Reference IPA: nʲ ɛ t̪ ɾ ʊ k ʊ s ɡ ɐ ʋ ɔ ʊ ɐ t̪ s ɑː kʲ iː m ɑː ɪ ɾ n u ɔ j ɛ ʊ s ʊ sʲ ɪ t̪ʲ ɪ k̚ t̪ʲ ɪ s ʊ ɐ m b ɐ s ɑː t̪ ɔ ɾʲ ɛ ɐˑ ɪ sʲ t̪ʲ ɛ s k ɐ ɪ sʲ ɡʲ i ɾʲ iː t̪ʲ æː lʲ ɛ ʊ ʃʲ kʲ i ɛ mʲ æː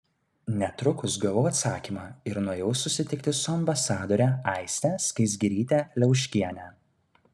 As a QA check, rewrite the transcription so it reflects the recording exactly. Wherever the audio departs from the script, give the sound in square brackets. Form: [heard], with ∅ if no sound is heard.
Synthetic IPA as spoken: nʲ ɛ t̪ ɾ ʊ k ʊ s ɡ ɐ ʋ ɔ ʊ ɐ t̪ s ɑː kʲ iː m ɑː ɪ ɾ n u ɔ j ɛ ʊ s ʊ sʲ ɪ t̪ʲ ɪ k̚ t̪ʲ ɪ s ʊ ɐ m b ɐ s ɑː [d̪] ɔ ɾʲ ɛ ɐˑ ɪ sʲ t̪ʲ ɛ s k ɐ ɪ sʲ ɡʲ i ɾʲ iː t̪ʲ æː lʲ ɛ ʊ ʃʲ kʲ i ɛ [nʲ] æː